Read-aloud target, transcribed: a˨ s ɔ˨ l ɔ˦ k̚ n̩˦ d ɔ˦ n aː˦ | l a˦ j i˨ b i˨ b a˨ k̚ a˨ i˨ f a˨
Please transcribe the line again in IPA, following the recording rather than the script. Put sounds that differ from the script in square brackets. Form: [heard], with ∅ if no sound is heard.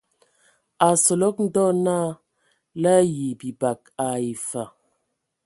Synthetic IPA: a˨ s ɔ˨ l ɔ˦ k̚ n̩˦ d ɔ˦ n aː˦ | l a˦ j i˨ b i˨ b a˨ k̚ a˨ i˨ f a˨